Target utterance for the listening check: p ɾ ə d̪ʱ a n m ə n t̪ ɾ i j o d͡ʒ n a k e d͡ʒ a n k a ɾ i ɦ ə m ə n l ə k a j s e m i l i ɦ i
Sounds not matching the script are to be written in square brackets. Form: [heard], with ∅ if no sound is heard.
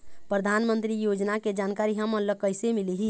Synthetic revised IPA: p ɾ ə d̪ʱ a n m ə n t̪ ɾ i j o d͡ʒ n a k e d͡ʒ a n k a ɾ i ɦ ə m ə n l ə k [ə] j s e m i l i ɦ i